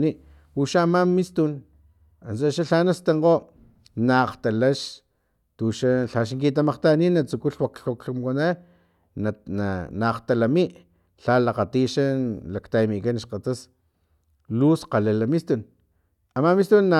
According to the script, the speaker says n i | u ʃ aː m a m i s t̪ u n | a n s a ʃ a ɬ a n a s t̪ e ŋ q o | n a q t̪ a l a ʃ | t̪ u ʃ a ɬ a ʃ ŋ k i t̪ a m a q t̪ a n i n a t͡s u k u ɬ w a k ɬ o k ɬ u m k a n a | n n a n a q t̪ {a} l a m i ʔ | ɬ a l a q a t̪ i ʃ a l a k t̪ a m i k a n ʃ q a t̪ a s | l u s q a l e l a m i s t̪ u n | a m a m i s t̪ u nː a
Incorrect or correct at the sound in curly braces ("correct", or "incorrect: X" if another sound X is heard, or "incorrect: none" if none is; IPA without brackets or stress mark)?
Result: correct